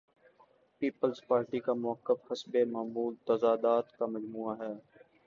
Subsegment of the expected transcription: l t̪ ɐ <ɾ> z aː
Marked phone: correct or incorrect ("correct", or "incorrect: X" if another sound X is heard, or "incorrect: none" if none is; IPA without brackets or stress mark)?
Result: incorrect: none